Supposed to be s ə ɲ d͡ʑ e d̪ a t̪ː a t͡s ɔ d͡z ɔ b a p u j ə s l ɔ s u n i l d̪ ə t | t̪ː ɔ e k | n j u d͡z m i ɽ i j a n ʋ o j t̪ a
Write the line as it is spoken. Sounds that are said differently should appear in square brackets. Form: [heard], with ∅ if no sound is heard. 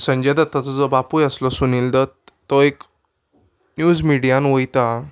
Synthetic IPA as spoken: s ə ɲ d͡ʑ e d̪ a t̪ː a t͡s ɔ d͡z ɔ b a p u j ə s l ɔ s u n i l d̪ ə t | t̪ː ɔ e k | n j u d͡z m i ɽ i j a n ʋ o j t̪ a